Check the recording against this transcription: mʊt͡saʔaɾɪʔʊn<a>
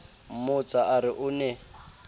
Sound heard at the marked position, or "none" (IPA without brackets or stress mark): ɛ